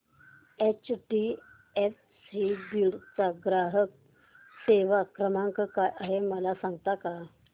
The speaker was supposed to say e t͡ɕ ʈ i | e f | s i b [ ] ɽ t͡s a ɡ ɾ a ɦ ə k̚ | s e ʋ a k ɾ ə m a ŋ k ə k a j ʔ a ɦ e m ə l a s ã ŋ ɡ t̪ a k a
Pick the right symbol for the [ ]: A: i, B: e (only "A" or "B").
A